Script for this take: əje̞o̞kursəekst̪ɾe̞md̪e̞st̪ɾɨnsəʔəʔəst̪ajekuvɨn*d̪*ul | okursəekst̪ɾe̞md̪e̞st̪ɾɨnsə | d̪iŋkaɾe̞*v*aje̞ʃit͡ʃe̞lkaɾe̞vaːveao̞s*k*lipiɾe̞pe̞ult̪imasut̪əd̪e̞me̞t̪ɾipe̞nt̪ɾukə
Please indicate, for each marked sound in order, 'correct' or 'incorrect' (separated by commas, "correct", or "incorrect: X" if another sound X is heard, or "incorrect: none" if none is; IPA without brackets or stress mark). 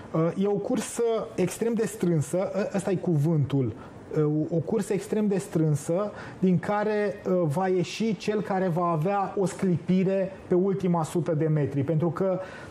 incorrect: t̪, correct, correct